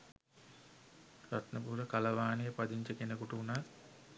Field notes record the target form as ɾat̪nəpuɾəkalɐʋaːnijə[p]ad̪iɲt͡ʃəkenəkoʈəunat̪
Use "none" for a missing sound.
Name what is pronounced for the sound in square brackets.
p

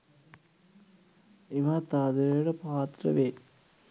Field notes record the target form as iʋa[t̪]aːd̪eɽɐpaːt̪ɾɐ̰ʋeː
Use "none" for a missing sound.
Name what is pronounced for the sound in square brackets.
t̪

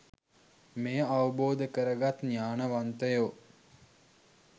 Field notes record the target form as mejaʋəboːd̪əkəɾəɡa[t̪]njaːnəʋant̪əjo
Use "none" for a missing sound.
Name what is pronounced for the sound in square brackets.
t̪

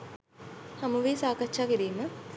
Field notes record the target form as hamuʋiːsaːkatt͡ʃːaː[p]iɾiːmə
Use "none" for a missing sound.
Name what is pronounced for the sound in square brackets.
k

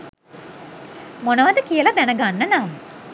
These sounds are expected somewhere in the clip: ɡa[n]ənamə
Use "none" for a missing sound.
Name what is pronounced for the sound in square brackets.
nː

